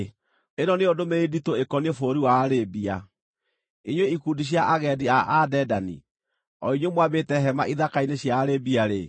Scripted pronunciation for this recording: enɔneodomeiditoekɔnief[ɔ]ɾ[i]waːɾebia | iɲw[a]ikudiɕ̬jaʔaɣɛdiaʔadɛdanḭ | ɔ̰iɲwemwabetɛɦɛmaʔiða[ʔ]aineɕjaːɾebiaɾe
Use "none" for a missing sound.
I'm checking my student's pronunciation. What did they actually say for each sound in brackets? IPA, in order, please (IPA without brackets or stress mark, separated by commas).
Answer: o, i, e, k